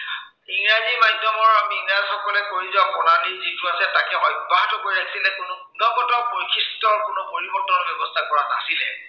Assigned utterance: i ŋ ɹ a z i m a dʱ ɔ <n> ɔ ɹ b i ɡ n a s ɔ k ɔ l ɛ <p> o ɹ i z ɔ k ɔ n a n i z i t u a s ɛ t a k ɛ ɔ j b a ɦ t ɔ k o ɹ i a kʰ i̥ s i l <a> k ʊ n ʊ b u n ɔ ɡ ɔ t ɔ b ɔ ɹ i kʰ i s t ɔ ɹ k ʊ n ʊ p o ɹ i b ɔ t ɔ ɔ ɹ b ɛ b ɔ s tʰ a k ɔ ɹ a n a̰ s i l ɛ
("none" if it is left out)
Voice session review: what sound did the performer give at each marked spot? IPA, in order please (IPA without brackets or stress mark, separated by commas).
m, k, ɛ